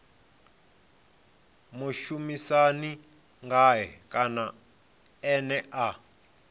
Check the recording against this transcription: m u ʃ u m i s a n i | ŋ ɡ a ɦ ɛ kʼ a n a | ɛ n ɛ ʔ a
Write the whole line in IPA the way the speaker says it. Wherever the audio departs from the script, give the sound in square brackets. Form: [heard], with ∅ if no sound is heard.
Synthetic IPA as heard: m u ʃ u m i s a n i | ŋ ɡ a ɦ ɛ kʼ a n a | ɛ n ɛ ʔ a